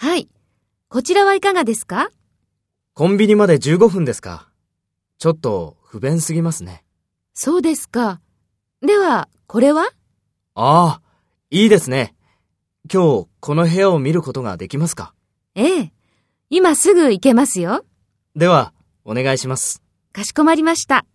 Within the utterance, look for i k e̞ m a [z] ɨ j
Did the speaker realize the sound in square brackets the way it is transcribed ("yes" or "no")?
no